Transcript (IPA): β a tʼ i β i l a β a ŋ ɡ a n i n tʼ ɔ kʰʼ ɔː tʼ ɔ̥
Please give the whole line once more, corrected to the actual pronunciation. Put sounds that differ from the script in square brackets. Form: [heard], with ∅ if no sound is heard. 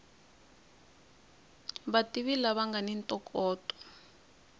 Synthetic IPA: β a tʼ i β i l a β a ŋ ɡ a n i n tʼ ɔ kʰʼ ɔː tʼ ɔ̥